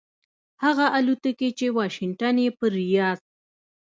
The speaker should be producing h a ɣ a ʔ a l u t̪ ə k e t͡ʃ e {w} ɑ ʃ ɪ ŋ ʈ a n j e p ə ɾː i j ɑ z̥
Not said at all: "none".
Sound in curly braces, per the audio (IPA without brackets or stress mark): w